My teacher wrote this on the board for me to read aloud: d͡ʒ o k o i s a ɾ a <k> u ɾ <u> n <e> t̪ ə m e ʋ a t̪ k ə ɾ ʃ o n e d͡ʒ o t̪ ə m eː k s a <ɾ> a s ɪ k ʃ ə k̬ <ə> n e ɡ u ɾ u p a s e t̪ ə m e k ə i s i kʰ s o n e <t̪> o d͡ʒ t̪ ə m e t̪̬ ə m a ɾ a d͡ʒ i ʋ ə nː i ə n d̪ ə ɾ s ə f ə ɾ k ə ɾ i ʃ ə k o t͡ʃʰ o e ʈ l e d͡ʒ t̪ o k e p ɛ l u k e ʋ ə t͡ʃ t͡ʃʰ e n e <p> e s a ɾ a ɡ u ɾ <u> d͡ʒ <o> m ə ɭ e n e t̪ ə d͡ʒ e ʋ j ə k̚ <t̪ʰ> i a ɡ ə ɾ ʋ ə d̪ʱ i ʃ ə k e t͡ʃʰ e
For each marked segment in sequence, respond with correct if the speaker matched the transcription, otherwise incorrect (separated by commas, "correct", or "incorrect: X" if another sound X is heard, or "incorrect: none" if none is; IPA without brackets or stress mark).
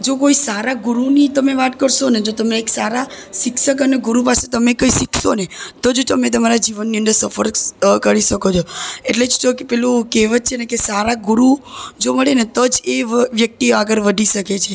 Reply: incorrect: ɡ, correct, incorrect: i, correct, correct, correct, incorrect: k, correct, correct, incorrect: t̪